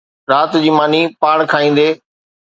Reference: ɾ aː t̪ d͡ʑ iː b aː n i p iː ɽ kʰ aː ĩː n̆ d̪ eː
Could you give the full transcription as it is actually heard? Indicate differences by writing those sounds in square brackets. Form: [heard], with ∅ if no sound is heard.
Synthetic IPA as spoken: ɾ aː t̪ d͡ʑ iː [m] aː n i p [aː] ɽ kʰ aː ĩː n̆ d̪ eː